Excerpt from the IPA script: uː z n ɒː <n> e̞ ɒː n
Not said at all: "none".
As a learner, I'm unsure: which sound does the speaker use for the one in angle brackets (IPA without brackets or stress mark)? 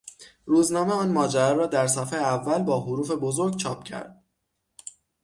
m